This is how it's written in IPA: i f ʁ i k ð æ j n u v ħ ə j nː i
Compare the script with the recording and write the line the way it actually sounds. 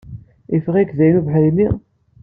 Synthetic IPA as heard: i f ʁ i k ð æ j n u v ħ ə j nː i